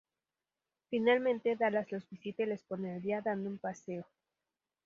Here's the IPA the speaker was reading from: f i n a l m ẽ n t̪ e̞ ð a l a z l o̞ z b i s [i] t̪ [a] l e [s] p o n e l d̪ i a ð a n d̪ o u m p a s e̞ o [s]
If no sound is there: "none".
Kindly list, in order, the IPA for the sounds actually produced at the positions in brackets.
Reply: i, e, s, none

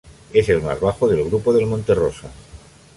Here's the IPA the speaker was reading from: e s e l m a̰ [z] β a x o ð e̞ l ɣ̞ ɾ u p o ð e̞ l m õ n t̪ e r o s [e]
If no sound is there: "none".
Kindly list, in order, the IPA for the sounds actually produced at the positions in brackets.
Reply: z, a

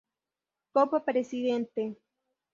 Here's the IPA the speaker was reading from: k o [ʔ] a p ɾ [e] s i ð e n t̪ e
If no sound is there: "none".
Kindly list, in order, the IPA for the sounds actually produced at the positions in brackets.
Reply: p, e

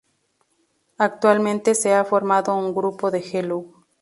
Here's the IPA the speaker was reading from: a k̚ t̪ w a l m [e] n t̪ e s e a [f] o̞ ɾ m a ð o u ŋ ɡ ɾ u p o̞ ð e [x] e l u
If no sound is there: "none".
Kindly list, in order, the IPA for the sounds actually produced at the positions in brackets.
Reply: ẽ, f, x

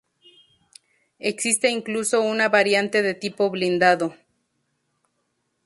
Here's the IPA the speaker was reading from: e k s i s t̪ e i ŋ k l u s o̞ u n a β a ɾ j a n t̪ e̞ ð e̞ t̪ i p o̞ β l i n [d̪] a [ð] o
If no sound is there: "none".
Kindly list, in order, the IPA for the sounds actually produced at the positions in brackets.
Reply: d̪, ð

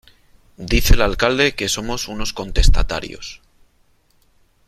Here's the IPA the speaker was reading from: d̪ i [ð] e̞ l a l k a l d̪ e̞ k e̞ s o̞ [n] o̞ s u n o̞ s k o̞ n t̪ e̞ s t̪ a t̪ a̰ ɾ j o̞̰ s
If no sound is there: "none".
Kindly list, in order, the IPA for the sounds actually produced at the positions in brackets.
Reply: θ, m

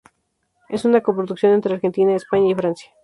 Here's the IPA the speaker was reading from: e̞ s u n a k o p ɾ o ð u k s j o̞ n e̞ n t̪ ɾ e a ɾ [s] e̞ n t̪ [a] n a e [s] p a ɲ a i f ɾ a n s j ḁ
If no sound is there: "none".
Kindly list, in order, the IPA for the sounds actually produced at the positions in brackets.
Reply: x, i, s

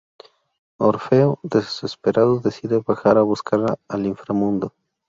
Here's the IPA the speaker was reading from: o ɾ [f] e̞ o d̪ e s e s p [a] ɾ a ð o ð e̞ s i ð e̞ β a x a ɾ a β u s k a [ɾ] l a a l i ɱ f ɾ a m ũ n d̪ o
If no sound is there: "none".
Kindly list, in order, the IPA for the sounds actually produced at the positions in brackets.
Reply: f, e, ɾ

